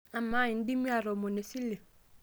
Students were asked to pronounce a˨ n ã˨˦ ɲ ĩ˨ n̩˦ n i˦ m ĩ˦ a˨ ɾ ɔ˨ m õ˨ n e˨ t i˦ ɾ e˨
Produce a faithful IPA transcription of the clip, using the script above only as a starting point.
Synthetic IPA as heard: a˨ m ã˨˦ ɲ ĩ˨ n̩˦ d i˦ m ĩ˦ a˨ ɾ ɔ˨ m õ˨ n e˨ s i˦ l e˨